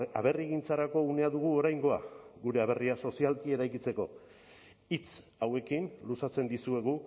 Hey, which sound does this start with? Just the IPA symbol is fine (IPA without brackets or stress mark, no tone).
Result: a